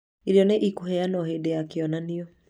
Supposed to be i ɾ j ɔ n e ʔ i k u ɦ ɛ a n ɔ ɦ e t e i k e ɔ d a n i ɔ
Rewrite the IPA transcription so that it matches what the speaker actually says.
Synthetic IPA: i ɾ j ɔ n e ʔ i k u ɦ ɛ a n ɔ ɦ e d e a k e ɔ n a n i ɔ

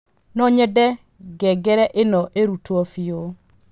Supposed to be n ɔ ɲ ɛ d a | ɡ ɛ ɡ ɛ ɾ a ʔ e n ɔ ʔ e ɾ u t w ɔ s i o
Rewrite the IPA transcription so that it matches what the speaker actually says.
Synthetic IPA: n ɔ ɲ ɛ d ɛ | ɡ ɛ ɡ ɛ ɾ ɛ ʔ e n ɔ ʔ e ɾ u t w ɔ f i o

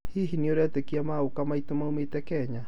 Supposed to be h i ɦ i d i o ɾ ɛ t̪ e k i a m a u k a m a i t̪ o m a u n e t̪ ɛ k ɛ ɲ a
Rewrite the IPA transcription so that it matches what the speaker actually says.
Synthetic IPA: h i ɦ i n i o ɾ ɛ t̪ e k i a m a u k a m a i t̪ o m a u m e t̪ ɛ k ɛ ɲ a

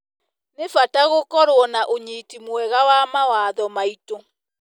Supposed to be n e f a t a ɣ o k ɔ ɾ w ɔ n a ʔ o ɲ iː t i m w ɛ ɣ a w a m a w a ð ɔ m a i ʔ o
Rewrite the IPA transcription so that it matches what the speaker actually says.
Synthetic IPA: n e f a t a ɣ o k ɔ ɾ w ɔ n a ʔ o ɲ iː t i m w ɛ ɣ a w a m a w a ð ɔ m a i t o

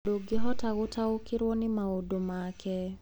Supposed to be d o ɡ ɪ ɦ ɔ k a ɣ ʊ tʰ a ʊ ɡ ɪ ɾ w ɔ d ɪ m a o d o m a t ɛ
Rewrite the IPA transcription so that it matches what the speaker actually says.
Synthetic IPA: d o ɡ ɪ ɦ ɔ t a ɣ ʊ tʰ a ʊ k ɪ ɾ w ɔ n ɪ m a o d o m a k ɛ

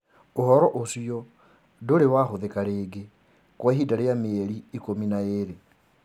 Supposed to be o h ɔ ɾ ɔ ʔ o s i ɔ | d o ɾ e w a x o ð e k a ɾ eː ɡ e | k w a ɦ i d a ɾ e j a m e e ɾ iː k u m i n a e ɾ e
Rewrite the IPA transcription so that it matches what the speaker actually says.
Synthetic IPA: o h ɔ ɾ ɔ ʔ o s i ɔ | d o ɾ e w a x o ð e k a ɾ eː ɡ e | k w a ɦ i d a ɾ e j a m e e ɾ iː k o m i n a e ɾ e

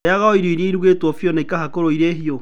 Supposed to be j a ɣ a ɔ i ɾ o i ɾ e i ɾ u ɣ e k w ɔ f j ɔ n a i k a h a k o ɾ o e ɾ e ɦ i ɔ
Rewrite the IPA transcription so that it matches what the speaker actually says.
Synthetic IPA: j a ɣ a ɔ i ɾ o i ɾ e i ɾ u ɣ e t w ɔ f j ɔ n a i k a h a k o ɾ o i ɾ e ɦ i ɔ

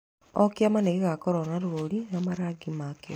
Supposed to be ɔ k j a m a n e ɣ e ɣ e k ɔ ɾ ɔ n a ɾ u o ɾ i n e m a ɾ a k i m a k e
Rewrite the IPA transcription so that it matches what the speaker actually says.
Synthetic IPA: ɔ k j a m a n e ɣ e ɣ a k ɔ ɾ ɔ n a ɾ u o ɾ i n a m a ɾ a ɡ i m a k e

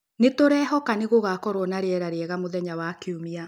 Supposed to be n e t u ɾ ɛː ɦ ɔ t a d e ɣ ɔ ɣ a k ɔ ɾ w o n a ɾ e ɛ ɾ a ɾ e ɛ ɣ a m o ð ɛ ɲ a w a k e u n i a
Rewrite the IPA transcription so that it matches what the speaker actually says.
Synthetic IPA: n e t o ɾ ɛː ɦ ɔ k a n e ɣ o ɣ a k ɔ ɾ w ɔ n a ɾ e ɛ ɾ a ɾ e ɛ ɣ a m o ð ɛ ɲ a w a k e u m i a

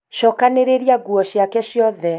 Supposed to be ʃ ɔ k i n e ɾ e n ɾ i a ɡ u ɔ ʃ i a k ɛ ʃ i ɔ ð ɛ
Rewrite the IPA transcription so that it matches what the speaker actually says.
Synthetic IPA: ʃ ɔ k a n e ɾ e ɾ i a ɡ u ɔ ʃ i a k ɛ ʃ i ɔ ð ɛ

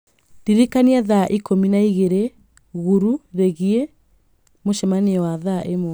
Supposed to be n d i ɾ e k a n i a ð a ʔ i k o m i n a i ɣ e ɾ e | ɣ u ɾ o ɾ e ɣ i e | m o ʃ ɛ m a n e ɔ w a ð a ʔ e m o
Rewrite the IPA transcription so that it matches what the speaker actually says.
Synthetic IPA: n d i ɾ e k a n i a ð a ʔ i k o m i n a i ɣ e ɾ e | ɣ u ɾ u ɾ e ɣ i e | m o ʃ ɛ m a n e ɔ w a ð a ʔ e m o

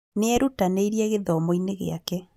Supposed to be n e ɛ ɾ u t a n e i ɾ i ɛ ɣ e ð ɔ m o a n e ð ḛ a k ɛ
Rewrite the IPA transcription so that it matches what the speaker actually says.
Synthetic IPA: n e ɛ ɾ u t a n e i ɾ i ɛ ɣ e ð ɔ m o i n e ɣ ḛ a k ɛ

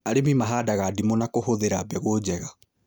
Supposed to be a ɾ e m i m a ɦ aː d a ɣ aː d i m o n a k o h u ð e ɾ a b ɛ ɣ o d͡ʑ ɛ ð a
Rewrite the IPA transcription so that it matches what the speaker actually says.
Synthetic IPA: a ɾ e m i m a ɦ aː d a ɣ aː d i m o n a k o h o ð e ɾ a b ɛ ɣ o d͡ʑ ɛ ɣ a

